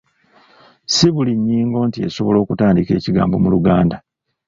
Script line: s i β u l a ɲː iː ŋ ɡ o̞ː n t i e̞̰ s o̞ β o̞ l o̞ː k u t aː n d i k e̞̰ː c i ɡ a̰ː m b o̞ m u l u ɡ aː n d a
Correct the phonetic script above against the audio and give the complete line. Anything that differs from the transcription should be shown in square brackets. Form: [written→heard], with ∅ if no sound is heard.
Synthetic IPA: s i β u l [a→i] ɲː iː ŋ ɡ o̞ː n t i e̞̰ s o̞ β o̞ l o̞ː k u t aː n d i k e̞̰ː c i ɡ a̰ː m b o̞ m u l u ɡ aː n d a